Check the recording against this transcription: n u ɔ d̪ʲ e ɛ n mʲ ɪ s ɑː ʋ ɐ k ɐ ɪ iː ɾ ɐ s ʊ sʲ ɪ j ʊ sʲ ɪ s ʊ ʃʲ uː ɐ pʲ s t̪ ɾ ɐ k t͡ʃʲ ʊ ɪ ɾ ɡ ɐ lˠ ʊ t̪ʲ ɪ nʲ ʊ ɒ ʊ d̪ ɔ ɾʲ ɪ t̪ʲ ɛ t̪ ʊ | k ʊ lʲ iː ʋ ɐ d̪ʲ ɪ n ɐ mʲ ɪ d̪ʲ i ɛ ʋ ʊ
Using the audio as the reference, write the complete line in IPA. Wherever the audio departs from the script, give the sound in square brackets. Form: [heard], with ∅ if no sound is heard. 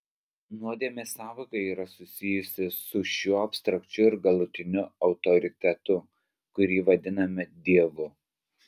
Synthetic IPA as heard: n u ɔ d̪ʲ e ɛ [∅] mʲ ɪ s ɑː ʋ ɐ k ɐ ɪ iː ɾ ɐ s ʊ sʲ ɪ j ʊ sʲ ɪ s ʊ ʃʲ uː ɐ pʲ s t̪ ɾ ɐ k t͡ʃʲ ʊ ɪ ɾ ɡ ɐ lˠ ʊ t̪ʲ ɪ nʲ ʊ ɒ ʊ [t̪] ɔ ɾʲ ɪ t̪ʲ ɛ t̪ ʊ | k ʊ [ɾʲ] iː ʋ ɐ d̪ʲ ɪ n ɐ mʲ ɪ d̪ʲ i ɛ ʋ ʊ

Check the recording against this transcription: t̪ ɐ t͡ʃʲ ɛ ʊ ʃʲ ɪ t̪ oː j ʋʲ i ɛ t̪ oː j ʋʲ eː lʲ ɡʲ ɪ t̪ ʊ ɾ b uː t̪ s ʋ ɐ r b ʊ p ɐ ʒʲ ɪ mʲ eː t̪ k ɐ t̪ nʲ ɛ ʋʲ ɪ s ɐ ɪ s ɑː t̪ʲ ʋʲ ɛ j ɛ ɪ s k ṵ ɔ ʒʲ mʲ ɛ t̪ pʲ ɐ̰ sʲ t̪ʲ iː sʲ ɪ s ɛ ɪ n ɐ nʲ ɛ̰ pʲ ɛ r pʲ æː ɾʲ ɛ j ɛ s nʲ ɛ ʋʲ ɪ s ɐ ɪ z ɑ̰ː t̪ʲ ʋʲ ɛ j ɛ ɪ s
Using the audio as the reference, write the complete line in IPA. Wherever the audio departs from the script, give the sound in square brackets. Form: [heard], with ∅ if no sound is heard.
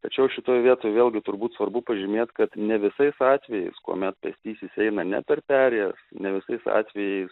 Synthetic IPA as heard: t̪ ɐ t͡ʃʲ ɛ ʊ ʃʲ ɪ t̪ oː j ʋʲ i ɛ t̪ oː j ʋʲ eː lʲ ɡʲ ɪ t̪ ʊ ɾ b uː t̪ s ʋ ɐ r b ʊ p ɐ ʒʲ ɪ mʲ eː t̪ k ɐ t̪ nʲ ɛ ʋʲ ɪ s ɐ ɪ s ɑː t̪ʲ ʋʲ ɛ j ɛ ɪ s k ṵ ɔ [∅] mʲ ɛ t̪ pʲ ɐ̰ sʲ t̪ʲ iː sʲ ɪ s ɛ ɪ n ɐ nʲ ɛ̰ pʲ ɛ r pʲ æː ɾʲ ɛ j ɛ s nʲ ɛ ʋʲ ɪ s ɐ ɪ [s] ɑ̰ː t̪ʲ ʋʲ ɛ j ɛ ɪ s

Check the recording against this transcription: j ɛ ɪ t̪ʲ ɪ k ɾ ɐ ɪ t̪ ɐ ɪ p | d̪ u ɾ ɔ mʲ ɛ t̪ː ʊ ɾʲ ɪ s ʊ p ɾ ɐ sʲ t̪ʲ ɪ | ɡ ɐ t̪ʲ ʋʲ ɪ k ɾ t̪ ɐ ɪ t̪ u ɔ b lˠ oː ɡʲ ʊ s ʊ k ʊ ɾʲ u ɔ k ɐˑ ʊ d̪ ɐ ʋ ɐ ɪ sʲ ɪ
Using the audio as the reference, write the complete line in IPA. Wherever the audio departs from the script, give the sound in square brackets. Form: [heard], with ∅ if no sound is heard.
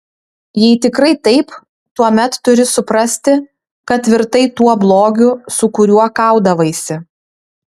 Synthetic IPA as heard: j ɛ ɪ t̪ʲ ɪ k ɾ ɐ ɪ t̪ ɐ ɪ p | [t̪] u [∅] ɔ mʲ ɛ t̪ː ʊ ɾʲ ɪ s ʊ p ɾ ɐ sʲ t̪ʲ ɪ | [k] ɐ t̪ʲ ʋʲ ɪ [∅] ɾ t̪ ɐ ɪ t̪ u ɔ b lˠ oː ɡʲ ʊ s ʊ k ʊ ɾʲ u ɔ k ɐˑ ʊ d̪ ɐ ʋ ɐ ɪ sʲ ɪ

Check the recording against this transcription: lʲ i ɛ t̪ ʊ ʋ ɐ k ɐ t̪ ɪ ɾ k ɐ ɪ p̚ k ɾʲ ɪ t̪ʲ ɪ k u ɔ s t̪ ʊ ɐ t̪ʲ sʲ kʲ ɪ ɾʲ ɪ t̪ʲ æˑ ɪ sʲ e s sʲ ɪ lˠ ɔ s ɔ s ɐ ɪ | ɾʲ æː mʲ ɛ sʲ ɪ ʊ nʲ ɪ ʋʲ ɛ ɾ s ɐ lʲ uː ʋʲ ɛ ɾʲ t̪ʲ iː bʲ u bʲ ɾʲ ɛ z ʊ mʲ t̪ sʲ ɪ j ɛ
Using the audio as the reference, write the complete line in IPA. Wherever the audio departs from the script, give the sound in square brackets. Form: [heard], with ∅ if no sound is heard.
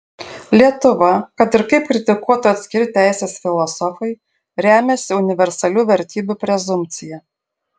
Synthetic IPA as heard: lʲ i ɛ t̪ ʊ ʋ ɐ k ɐ t̪ ɪ ɾ k ɐ ɪ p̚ k ɾʲ ɪ t̪ʲ ɪ k u ɔ [∅] t̪ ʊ ɐ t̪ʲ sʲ kʲ ɪ ɾʲ ɪ t̪ʲ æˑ ɪ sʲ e s [fʲ] ɪ lˠ ɔ s ɔ [f] ɐ ɪ | ɾʲ æː mʲ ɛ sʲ ɪ ʊ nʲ ɪ ʋʲ ɛ ɾ s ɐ lʲ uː ʋʲ ɛ ɾʲ t̪ʲ iː bʲ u [pʲ] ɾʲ ɛ z ʊ mʲ t̪ sʲ ɪ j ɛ

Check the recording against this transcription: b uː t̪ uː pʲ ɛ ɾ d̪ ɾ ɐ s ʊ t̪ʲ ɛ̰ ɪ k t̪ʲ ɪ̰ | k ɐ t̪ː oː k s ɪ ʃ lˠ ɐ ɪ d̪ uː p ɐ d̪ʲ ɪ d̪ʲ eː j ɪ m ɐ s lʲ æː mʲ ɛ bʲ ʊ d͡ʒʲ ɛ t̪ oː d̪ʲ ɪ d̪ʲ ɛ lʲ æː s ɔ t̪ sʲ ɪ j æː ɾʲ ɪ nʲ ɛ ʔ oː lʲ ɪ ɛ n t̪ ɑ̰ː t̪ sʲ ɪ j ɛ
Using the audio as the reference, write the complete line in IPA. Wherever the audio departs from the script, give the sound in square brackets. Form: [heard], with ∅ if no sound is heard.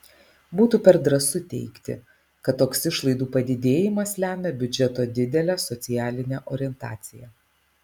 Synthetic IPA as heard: b uː t̪ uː pʲ ɛ ɾ d̪ ɾ ɐ s ʊ t̪ʲ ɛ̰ ɪ k t̪ʲ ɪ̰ | k ɐ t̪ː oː k s ɪ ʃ lˠ ɐ ɪ d̪ uː p ɐ d̪ʲ ɪ d̪ʲ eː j ɪ m ɐ s lʲ æː mʲ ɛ bʲ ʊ d͡ʒʲ ɛ t̪ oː d̪ʲ ɪ d̪ʲ ɛ lʲ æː s ɔ t̪ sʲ ɪ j æː [lʲ] ɪ nʲ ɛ ʔ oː [ɾʲ] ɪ ɛ n t̪ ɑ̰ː t̪ sʲ ɪ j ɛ

